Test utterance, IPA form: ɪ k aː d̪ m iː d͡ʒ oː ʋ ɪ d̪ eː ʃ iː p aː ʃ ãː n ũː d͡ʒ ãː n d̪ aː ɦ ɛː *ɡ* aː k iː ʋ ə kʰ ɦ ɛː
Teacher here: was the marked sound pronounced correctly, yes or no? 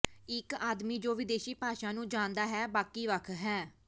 no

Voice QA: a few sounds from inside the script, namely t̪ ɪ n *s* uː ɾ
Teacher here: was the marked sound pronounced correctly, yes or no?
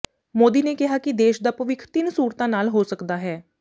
yes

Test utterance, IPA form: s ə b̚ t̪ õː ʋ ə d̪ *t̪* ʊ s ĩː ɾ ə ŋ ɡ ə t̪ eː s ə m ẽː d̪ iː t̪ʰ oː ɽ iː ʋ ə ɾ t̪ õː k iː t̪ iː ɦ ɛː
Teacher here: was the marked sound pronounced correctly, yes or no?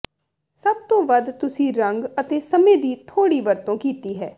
yes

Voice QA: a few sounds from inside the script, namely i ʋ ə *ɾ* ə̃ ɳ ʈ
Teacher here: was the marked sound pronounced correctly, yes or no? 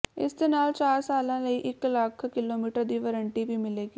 yes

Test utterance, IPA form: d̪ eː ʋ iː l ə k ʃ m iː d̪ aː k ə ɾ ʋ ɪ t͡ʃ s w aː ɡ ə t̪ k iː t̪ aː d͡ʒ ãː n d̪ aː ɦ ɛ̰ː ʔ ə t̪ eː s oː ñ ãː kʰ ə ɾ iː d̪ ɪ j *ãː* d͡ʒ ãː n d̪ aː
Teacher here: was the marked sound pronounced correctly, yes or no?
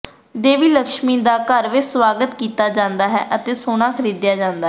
no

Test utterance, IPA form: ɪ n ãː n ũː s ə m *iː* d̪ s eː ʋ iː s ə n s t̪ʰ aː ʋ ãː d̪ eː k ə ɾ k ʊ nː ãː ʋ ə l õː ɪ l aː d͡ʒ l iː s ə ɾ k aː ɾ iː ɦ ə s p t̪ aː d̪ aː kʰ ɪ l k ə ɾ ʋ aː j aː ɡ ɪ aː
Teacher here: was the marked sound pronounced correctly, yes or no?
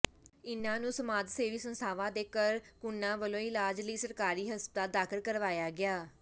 no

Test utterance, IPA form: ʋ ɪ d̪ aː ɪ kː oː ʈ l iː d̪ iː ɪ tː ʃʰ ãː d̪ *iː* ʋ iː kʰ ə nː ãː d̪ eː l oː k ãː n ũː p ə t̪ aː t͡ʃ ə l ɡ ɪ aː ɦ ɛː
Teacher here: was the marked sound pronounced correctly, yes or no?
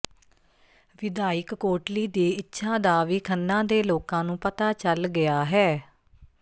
no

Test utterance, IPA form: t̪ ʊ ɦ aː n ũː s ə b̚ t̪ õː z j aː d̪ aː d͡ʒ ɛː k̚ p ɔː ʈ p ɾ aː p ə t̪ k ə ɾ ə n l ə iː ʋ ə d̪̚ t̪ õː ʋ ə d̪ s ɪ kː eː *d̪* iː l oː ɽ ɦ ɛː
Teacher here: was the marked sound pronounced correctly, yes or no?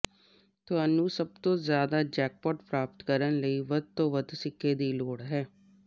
yes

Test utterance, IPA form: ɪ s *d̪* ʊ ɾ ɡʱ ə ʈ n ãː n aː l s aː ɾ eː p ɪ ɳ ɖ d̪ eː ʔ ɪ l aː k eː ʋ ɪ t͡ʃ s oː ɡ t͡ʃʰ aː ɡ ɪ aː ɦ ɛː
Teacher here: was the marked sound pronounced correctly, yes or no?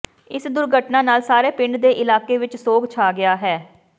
yes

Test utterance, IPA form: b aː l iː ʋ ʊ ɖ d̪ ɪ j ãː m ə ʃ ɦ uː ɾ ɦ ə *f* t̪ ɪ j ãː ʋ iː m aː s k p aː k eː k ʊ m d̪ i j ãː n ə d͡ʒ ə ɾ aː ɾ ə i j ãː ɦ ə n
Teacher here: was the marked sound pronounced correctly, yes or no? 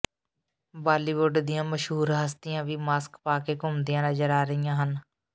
no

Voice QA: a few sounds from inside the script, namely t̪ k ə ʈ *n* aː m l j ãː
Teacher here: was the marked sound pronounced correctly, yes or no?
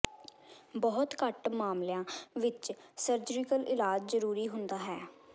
no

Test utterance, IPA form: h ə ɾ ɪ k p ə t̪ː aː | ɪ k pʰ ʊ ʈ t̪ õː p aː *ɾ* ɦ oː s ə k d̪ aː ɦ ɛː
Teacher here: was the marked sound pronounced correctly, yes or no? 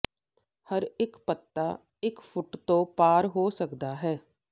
yes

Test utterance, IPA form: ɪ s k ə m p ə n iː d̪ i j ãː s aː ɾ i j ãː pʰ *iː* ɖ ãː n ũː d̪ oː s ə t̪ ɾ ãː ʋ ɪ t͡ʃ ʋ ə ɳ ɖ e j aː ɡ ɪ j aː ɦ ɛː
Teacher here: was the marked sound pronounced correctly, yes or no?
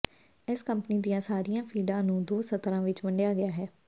yes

